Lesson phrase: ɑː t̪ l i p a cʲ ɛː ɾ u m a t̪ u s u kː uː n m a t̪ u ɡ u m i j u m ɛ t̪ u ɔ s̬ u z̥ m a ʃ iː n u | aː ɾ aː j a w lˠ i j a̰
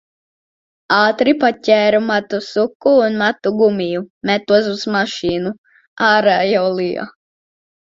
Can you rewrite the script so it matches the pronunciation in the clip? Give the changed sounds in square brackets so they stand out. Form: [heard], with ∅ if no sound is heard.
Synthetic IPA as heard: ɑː t̪ [ɾ] i p a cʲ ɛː ɾ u m a t̪ u s u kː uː n m a t̪ u ɡ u m i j u m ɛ t̪ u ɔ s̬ u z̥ m a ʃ iː n u | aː ɾ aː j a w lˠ i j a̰